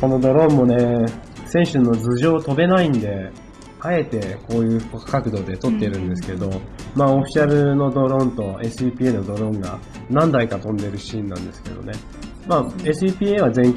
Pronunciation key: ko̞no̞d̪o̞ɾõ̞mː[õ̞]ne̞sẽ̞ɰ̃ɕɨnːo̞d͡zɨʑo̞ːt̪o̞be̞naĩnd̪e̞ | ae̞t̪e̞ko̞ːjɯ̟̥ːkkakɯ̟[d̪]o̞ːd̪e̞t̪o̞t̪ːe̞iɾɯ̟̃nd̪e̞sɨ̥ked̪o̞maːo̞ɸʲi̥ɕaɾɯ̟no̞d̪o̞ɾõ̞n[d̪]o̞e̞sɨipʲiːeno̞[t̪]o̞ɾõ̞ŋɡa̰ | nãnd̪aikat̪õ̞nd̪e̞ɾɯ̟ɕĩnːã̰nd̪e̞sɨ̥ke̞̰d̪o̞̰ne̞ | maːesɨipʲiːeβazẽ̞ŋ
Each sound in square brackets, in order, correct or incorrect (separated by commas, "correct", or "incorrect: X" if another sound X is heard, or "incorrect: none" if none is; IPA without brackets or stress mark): incorrect: o̞, correct, incorrect: t̪, incorrect: d̪